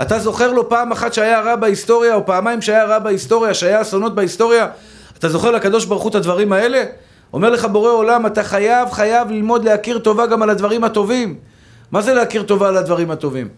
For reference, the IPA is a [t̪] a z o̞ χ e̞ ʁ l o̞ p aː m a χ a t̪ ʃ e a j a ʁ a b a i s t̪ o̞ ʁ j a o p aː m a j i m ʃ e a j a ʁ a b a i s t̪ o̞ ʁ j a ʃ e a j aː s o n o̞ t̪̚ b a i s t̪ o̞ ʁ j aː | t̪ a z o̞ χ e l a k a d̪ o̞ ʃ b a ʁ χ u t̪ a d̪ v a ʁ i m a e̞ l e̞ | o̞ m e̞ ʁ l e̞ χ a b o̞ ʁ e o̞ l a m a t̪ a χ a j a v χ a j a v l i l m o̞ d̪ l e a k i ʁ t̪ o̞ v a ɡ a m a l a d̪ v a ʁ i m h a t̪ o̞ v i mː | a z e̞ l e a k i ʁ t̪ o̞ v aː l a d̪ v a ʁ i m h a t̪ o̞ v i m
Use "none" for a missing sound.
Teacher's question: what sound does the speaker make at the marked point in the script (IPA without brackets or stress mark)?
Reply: t̪